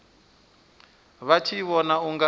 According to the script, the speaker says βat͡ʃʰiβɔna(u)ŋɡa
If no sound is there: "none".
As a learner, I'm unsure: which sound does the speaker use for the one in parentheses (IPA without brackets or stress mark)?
u